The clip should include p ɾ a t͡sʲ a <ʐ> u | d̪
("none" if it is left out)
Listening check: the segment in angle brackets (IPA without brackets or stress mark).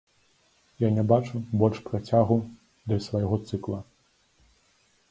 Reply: ɣ